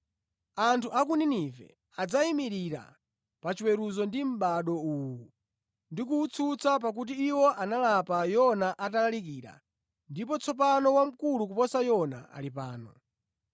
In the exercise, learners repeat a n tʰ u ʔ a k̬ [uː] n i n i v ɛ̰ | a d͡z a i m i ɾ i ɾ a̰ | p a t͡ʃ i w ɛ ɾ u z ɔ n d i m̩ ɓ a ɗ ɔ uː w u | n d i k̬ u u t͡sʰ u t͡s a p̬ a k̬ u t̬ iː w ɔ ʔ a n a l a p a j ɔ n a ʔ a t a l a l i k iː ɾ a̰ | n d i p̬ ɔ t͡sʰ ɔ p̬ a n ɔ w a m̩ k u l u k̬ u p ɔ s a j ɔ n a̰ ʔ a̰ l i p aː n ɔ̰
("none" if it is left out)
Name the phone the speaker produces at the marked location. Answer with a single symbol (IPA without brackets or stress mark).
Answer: u